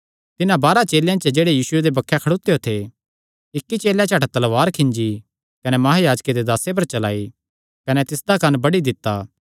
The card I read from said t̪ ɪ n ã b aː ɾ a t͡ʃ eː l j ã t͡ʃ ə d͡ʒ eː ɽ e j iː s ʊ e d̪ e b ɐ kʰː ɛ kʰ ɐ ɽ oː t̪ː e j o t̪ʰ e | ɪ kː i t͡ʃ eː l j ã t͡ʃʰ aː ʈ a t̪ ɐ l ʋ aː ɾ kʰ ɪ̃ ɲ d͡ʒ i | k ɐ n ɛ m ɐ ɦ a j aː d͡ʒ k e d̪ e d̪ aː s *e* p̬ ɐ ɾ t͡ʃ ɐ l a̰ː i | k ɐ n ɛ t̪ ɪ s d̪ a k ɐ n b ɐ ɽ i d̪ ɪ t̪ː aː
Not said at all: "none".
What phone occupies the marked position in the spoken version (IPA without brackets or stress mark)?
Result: e